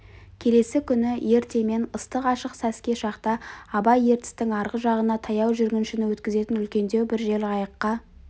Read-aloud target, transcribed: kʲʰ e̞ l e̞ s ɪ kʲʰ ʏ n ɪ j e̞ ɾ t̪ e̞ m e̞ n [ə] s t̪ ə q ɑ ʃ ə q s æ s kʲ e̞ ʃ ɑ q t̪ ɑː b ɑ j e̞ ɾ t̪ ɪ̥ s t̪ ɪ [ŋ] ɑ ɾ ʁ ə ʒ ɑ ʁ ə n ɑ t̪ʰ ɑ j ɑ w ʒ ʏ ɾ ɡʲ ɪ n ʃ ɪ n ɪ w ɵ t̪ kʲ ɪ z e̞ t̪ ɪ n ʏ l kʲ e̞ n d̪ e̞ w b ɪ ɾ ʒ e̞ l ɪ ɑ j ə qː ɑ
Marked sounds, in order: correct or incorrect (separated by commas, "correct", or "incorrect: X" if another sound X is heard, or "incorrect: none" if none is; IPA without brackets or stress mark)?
correct, correct